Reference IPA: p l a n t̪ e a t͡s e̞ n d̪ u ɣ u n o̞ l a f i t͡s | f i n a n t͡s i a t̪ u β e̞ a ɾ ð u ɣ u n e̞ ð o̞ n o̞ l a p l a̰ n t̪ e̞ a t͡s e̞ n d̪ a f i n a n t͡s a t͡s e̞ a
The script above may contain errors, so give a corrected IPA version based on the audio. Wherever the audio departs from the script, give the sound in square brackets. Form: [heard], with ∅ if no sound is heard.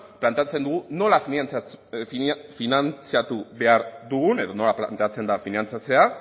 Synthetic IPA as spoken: p l a n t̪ e a t͡s e̞ n d̪ u ɣ u n o̞ l a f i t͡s | f i n a n t͡s i a t̪ u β e̞ a ɾ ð u ɣ u n e̞ ð o̞ n o̞ l a p l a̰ n t̪ e̞ a t͡s e̞ n d̪ a f i n a n t͡s a t͡s e̞ a